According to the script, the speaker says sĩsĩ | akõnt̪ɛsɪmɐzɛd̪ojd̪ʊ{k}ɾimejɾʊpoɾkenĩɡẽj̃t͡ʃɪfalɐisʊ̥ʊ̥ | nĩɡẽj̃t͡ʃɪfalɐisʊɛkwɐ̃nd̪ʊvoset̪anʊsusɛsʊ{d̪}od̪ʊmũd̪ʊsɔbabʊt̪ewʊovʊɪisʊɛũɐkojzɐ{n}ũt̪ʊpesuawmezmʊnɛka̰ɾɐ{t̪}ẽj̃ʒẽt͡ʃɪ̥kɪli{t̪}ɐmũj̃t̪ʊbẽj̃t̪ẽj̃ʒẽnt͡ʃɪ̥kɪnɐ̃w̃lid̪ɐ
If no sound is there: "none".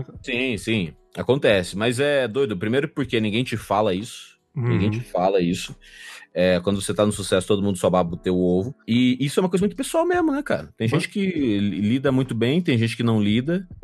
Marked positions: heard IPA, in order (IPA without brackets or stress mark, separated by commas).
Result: p, t̪, m, t̪, d̪